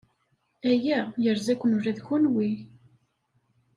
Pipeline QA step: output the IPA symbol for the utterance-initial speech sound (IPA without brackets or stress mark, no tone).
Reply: æ